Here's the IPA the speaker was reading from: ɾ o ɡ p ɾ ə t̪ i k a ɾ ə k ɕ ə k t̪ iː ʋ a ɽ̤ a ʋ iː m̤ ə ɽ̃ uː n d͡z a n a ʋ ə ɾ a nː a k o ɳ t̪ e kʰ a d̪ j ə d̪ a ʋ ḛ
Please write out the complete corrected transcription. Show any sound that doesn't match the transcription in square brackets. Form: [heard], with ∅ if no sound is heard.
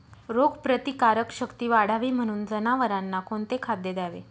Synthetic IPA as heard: ɾ o ɡ p ɾ ə t̪ i k a ɾ ə k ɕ ə k t̪ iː ʋ a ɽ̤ a ʋ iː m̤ ə ɽ̃ uː n d͡z [ə] n a ʋ ə ɾ a nː a k o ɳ t̪ e kʰ a d̪ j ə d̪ a ʋ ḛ